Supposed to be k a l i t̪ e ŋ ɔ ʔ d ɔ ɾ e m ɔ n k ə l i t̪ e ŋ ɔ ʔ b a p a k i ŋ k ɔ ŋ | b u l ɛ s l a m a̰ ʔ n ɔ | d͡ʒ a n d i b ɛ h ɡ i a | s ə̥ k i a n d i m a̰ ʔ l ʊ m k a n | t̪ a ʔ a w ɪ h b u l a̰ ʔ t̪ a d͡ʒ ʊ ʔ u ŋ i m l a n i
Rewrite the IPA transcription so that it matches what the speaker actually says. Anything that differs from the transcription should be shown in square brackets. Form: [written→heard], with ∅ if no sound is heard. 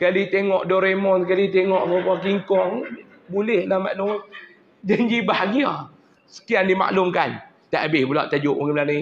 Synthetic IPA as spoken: k a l i t̪ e ŋ ɔ ʔ d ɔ ɾ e m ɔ n k [ə→a] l i t̪ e ŋ ɔ ʔ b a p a k i ŋ k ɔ ŋ | b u l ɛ [s→h] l a m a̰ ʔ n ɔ | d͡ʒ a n [d→d͡ʒ] i b [ɛ→a] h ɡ i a | s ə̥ k i a n d i m a̰ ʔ l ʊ m k a n | t̪ a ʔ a [w→b] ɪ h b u l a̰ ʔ t̪ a d͡ʒ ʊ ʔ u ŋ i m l a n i